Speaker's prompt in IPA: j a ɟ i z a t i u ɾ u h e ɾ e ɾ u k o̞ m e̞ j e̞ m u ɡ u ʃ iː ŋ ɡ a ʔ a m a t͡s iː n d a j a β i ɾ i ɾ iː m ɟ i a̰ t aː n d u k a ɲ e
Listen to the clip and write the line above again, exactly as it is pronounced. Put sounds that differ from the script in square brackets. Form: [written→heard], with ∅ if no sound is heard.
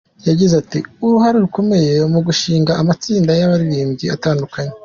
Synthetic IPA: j a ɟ i z a t i u ɾ u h [e→a] ɾ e ɾ u k o̞ m e̞ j e̞ m u ɡ u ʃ iː ŋ ɡ a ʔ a m a t͡s iː n d a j a β [i→a] ɾ i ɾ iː m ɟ i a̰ t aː n d u k a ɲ e